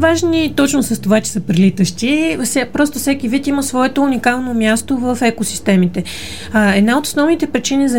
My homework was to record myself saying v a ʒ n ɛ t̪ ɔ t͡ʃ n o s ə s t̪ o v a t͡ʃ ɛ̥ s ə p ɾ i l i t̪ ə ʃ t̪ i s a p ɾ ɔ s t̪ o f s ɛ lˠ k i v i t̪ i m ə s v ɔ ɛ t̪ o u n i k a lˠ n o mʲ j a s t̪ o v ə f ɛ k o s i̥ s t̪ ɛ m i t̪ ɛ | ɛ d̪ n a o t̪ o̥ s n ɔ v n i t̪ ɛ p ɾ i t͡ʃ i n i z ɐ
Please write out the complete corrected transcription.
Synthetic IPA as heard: v a ʒ n i t̪ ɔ t͡ʃ n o s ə s t̪ o v a t͡ʃ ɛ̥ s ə p ɾ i l i t̪ ə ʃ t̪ i s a p ɾ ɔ s t̪ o f s ɛ k i v i t̪ i m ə s v ɔ ɛ t̪ o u n i k a lˠ n o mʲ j a s t̪ o v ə f ɛ k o s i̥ s t̪ ɛ m i t̪ ɛ | ɛ d̪ n a o t̪ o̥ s n ɔ v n i t̪ ɛ p ɾ i t͡ʃ i n i z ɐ